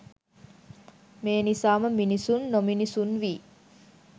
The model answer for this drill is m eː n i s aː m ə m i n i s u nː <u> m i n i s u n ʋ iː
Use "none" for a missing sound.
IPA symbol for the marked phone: o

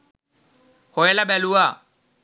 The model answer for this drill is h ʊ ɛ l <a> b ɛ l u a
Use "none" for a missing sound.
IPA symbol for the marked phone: a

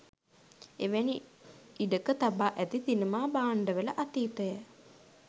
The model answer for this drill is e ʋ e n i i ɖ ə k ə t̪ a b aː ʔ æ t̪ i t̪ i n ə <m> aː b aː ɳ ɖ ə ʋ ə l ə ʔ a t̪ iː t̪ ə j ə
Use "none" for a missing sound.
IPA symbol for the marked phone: m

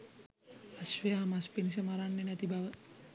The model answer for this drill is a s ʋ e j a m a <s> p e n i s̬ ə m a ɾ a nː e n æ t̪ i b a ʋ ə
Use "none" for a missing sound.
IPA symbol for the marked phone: s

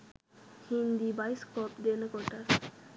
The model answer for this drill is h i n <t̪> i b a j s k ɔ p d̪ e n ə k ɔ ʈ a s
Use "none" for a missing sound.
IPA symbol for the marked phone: d̪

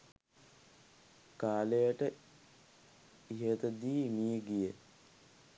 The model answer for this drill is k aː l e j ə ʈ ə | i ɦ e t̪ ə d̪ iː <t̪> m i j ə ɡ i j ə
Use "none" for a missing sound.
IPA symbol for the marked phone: none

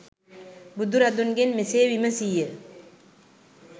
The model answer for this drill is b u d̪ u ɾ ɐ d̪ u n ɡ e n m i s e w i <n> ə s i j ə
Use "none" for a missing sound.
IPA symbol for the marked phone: m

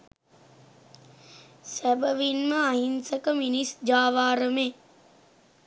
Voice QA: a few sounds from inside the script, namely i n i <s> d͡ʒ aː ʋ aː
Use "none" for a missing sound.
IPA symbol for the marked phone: s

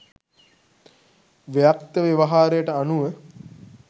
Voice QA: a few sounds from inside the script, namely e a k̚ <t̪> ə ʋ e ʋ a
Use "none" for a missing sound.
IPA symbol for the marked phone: t̪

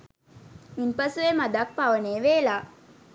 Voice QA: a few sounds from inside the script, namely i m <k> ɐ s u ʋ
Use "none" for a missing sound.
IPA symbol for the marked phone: p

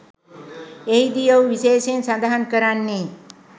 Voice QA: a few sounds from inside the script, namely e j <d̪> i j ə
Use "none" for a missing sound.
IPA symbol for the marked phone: d̪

